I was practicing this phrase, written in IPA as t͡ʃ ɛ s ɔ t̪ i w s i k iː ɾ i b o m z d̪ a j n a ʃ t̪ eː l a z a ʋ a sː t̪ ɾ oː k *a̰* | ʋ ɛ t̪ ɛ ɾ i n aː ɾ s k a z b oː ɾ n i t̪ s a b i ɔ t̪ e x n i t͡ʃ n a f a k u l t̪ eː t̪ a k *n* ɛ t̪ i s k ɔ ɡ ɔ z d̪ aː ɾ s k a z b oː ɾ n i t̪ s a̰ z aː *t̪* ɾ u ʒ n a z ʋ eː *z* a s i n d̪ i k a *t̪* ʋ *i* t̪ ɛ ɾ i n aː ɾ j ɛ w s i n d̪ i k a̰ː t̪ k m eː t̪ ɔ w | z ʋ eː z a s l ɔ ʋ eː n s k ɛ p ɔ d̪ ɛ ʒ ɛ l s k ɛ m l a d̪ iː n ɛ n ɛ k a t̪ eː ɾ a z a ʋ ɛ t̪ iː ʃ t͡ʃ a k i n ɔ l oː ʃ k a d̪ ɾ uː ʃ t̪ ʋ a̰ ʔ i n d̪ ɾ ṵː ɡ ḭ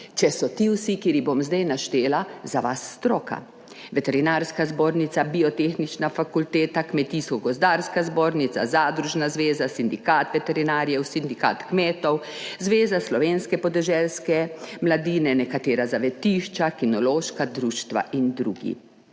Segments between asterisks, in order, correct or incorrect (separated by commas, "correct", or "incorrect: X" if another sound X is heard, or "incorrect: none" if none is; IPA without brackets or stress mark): correct, incorrect: m, incorrect: d̪, correct, correct, incorrect: ɛ